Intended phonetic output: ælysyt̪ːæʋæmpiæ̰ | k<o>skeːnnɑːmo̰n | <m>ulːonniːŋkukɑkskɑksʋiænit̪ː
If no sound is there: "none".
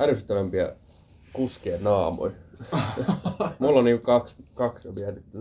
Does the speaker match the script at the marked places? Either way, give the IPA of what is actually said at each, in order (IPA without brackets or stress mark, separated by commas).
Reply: u, m